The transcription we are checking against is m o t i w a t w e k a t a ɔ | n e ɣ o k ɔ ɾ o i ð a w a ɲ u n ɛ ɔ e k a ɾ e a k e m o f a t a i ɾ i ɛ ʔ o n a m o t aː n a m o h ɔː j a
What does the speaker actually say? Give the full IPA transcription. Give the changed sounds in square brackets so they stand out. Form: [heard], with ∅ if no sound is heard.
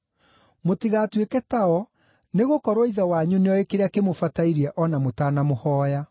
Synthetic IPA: m o t i [ɣ] a t w e k [ɛ] t a ɔ | n e ɣ o k ɔ ɾ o i ð a w a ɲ u n [e] ɔ e k [e] ɾ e a k e m o f a t a i ɾ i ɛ ʔ [ɔ] n a m o t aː n a m o h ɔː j a